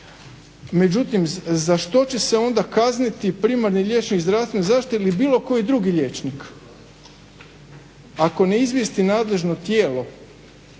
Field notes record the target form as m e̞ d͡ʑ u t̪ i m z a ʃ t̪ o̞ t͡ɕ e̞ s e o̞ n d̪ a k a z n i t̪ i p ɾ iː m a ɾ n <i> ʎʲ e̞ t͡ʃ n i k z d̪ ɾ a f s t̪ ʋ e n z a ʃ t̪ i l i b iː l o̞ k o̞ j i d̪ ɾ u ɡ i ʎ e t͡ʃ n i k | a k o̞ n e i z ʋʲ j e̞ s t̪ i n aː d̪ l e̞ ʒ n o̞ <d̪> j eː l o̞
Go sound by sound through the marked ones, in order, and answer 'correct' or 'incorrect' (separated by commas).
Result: correct, incorrect